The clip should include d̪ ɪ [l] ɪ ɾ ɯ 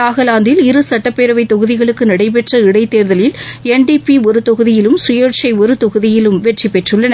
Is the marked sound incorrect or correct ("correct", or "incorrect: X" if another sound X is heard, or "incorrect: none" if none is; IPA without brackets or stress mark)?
correct